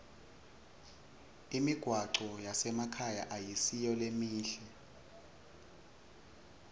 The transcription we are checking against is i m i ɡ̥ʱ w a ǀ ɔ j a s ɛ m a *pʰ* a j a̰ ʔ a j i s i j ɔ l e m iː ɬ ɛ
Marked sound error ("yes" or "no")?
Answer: yes